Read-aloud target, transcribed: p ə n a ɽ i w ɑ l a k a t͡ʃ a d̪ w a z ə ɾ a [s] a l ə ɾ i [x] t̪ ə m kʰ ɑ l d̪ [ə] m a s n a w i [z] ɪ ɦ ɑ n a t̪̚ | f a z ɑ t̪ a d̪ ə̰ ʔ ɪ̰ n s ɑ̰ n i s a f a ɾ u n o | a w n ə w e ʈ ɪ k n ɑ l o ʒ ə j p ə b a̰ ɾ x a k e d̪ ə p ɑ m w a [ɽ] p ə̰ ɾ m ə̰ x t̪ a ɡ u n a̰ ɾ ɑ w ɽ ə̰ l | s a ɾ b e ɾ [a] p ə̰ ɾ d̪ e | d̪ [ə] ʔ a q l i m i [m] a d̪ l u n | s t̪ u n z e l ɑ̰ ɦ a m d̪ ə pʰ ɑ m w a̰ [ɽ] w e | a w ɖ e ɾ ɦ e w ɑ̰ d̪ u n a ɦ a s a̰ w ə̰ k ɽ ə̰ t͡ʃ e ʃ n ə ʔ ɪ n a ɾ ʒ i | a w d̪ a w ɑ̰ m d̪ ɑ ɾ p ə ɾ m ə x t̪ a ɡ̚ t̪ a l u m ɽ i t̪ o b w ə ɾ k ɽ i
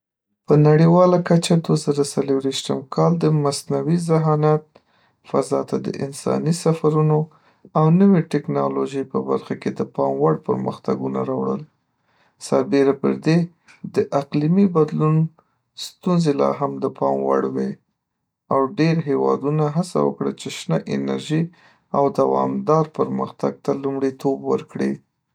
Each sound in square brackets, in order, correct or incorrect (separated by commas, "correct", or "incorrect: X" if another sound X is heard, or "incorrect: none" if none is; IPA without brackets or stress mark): correct, incorrect: ʃ, correct, correct, correct, correct, correct, incorrect: b, correct